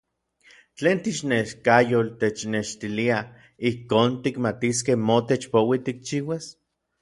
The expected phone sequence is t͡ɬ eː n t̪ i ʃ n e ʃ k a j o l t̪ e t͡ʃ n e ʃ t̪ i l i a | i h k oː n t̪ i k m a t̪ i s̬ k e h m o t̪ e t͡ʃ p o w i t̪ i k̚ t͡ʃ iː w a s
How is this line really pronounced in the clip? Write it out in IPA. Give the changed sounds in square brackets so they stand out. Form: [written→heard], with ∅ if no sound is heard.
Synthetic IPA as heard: t͡ɬ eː n t̪ i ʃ n e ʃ k a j o l t̪ e t͡ʃ n e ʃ t̪ i l i a | i h k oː n t̪ i k m a t̪ i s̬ k e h m o t̪ e t͡ʃ p o w i t̪ i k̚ t͡ʃ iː w a s